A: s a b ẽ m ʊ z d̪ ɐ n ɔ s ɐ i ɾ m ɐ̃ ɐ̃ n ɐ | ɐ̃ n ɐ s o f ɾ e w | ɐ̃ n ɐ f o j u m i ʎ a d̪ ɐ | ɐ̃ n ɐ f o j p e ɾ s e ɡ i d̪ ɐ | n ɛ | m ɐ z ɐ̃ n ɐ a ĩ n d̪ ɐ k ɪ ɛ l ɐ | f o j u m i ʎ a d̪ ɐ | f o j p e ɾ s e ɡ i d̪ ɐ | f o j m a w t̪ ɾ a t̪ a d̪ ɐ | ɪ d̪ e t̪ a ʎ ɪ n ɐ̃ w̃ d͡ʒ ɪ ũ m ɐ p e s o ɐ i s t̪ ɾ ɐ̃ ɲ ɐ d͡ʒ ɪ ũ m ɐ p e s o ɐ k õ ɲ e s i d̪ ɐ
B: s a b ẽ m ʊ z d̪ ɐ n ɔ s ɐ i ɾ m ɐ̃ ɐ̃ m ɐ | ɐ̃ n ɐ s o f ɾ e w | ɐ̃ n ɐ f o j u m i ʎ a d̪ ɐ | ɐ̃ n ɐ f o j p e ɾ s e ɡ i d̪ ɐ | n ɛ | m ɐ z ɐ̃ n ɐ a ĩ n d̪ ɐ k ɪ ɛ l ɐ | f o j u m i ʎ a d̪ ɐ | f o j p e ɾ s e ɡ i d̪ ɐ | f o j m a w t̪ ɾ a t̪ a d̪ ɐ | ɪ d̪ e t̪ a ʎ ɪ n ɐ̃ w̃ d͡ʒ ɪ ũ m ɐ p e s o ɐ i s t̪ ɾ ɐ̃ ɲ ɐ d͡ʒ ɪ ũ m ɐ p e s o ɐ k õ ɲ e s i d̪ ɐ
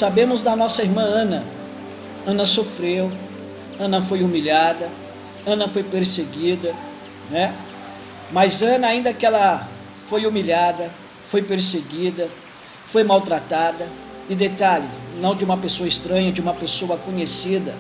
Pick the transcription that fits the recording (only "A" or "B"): A